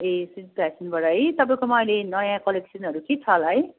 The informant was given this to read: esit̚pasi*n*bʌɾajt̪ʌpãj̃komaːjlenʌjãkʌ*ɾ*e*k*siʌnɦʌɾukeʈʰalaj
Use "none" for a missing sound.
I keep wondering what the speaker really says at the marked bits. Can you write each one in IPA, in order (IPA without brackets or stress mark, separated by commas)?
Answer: n, l, k